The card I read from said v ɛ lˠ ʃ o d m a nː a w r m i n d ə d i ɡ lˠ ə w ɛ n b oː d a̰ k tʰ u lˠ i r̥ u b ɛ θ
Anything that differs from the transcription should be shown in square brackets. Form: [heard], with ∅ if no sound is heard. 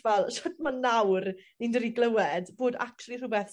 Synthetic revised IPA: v ɛ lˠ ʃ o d m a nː a w r [n] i n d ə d i ɡ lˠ ə w ɛ [d] b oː d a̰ k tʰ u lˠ i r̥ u b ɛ θ